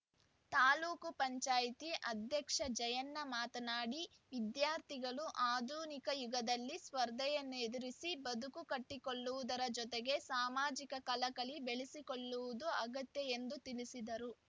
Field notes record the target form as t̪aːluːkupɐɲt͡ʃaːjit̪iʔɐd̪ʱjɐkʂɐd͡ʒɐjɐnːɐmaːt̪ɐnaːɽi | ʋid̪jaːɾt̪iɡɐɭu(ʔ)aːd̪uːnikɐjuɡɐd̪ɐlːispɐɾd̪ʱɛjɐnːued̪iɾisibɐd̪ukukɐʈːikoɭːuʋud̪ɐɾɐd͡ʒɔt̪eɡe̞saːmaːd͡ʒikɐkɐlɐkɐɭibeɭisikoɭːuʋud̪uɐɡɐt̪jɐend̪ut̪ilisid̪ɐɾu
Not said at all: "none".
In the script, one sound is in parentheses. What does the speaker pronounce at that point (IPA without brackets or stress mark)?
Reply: ʔ